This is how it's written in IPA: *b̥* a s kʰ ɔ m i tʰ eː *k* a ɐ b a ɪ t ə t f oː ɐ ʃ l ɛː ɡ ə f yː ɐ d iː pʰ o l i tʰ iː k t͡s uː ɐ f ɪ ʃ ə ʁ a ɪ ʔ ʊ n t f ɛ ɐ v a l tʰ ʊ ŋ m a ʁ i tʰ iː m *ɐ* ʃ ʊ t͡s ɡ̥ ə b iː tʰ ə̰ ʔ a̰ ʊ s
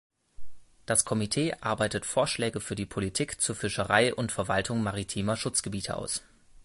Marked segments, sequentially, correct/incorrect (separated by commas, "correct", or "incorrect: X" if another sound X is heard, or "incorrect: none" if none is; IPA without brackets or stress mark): incorrect: d̥, incorrect: ʔ, correct